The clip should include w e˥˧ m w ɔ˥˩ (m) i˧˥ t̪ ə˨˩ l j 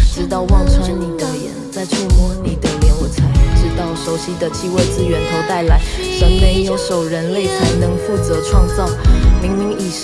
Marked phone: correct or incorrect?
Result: incorrect